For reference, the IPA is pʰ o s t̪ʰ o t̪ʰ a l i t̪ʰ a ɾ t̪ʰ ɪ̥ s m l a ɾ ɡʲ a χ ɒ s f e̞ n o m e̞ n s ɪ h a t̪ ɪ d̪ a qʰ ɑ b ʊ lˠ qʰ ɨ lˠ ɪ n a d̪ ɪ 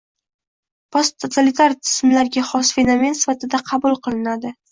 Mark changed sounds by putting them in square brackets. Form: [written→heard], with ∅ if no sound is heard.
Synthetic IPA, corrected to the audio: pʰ o s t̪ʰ o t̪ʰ a l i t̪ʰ a ɾ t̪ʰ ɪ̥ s m l a ɾ ɡʲ a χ ɒ s f e̞ n o m e̞ n s ɪ [h→f] a t̪ ɪ d̪ a qʰ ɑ b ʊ lˠ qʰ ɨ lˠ ɪ n a d̪ ɪ